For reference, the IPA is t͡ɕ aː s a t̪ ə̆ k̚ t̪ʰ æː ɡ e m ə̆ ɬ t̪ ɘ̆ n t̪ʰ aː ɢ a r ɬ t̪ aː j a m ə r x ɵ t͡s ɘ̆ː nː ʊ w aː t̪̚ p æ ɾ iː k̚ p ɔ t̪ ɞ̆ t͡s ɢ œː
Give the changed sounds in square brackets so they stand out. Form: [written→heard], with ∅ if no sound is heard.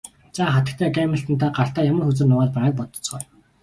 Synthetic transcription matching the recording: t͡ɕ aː [s→χ] a t̪ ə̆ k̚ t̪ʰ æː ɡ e m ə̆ ɬ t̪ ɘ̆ n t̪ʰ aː ɢ a r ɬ t̪ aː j a m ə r x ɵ t͡s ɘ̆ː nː ʊ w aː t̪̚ p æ ɾ [iː→aː] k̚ p ɔ t̪ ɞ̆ t͡s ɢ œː